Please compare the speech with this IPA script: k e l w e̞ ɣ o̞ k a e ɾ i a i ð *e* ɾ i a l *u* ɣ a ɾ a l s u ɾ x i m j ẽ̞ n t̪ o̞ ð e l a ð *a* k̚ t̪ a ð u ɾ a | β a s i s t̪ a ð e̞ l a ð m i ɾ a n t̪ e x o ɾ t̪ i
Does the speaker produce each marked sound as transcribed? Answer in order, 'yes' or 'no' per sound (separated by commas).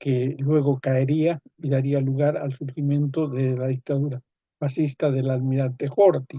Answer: no, yes, no